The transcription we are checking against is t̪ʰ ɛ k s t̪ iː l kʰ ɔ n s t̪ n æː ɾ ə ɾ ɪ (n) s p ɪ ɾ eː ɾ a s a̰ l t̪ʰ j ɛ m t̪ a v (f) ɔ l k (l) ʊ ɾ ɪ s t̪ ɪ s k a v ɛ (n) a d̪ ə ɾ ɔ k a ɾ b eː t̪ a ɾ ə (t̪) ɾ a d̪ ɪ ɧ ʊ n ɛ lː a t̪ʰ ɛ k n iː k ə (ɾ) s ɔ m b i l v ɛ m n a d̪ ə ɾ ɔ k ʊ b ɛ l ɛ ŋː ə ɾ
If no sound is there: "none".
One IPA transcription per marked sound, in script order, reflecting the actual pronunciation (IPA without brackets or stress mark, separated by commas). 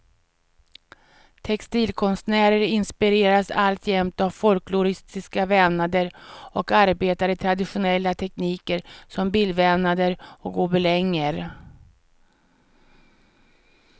n, f, l, n, t̪ʰ, ɾ